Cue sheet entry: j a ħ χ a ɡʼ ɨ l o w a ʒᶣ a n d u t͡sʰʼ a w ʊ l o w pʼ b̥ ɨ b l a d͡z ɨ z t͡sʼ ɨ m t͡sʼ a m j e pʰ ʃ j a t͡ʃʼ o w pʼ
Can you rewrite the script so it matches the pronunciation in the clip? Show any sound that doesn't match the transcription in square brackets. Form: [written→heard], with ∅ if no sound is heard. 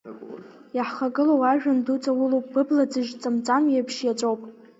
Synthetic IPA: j a ħ χ a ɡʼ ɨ l o w a ʒᶣ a n d u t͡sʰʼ a w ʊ l o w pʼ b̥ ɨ b l a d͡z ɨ [z→ʒ] t͡sʼ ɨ m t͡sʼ a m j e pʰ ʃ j a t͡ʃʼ o w pʼ

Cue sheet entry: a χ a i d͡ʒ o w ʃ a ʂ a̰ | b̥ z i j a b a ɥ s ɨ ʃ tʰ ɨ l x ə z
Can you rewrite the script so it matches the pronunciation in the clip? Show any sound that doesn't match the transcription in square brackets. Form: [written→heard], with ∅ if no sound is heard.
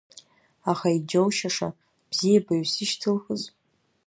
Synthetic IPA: a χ a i d͡ʒ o w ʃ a ʂ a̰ | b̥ z i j a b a ɥ s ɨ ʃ tʰ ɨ l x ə z

